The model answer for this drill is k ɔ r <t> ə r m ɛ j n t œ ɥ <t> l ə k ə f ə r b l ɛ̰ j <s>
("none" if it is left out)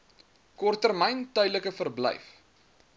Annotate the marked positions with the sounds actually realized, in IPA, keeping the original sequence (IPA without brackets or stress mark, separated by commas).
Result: t, d, f